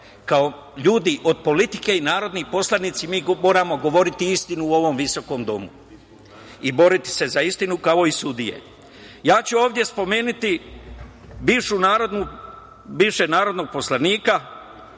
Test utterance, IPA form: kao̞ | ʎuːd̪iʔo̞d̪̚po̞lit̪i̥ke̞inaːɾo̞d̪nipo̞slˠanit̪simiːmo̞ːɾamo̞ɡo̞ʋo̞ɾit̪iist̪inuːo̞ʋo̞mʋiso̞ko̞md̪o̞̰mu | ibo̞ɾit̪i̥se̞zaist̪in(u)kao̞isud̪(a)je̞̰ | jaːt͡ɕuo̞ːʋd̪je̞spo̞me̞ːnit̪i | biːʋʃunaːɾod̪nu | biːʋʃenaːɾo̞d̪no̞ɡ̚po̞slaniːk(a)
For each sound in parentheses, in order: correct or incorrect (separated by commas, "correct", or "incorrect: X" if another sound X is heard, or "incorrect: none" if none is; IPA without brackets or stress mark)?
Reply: correct, incorrect: i, correct